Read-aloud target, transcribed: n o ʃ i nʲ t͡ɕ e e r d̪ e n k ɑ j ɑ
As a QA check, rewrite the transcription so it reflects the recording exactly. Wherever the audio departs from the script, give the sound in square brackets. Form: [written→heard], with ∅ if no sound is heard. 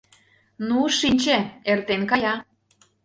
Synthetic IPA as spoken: n [o→u] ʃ i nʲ t͡ɕ e e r [d̪→t̪] e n k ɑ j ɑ